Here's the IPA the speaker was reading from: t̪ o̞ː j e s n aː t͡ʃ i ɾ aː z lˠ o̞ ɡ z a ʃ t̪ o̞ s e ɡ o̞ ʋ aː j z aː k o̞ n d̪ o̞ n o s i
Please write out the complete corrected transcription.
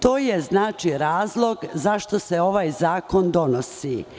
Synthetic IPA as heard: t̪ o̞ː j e z n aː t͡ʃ i ɾ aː z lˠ o̞ ɡ z a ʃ t̪ o̞ s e o̞ ʋ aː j z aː k o̞ n d̪ o̞ n o s i